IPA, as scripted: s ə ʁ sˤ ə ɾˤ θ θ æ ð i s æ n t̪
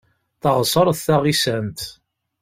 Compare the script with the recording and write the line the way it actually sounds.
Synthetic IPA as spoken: θ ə ʁ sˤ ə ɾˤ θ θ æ ʁ i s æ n t̪